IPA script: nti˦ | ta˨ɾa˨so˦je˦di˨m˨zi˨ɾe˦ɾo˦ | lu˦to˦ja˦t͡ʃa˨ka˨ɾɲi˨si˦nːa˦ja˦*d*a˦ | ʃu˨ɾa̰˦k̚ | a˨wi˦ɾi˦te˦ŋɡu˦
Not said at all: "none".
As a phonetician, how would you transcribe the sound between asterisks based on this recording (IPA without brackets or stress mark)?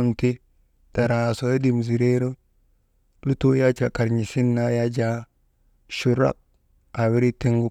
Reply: d͡ʒ